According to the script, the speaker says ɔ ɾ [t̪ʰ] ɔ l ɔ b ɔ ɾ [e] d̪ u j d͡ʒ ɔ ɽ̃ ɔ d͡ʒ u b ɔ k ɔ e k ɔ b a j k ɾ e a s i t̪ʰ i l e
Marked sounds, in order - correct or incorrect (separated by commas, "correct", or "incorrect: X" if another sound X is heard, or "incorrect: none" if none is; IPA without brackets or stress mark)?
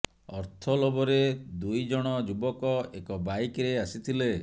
correct, correct